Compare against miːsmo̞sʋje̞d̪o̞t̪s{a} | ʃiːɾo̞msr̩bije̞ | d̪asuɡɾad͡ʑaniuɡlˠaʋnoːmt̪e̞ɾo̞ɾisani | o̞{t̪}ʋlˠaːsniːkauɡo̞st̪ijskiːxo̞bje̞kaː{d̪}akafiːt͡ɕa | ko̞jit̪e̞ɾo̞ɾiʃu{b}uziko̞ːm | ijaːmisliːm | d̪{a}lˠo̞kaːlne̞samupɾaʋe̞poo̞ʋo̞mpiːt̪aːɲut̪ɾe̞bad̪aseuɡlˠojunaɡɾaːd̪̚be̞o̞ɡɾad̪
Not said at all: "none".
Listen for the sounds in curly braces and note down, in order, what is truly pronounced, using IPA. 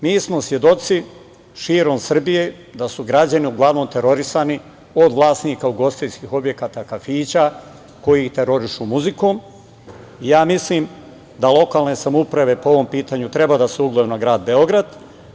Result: i, d̪, t̪, m, a

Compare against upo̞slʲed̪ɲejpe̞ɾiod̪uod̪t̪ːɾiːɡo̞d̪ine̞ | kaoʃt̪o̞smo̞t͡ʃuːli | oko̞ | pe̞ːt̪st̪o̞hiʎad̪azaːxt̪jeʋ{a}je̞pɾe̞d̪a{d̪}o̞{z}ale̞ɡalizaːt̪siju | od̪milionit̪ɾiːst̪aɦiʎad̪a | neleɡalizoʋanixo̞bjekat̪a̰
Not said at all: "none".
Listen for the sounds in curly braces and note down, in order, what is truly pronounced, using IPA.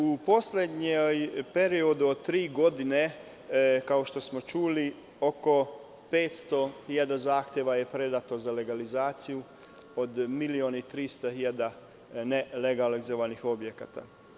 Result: a, t̪, z

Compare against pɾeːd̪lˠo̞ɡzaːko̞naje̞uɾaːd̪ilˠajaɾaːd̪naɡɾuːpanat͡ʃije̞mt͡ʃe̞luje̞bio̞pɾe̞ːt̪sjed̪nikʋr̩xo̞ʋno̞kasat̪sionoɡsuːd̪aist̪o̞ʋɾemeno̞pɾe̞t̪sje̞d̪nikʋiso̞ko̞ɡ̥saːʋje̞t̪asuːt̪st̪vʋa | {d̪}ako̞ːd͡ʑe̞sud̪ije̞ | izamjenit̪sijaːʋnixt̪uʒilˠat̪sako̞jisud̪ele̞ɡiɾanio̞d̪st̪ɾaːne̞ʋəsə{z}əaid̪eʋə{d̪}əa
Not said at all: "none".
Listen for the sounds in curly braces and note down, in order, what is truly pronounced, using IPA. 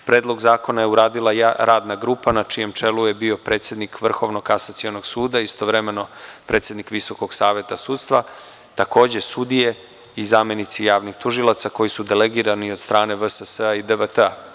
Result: t̪, s, t̪

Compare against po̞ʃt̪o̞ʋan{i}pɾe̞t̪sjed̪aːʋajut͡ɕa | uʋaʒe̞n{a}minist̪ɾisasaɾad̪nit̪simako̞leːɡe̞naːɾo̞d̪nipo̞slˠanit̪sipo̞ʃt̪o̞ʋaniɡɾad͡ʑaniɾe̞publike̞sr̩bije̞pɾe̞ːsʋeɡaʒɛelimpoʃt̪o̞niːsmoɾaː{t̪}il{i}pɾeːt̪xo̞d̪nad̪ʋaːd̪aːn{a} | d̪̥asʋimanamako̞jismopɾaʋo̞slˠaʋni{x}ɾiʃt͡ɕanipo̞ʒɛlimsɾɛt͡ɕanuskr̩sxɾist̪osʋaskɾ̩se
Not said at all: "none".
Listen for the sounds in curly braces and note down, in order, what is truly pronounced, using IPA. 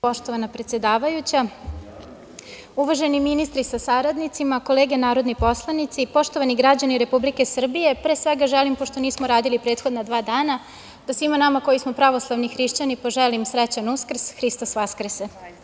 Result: a, i, d̪, i, a, x

